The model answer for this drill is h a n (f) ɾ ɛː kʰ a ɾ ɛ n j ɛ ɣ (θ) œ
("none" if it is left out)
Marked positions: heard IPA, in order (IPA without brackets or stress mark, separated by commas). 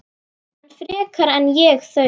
f, θ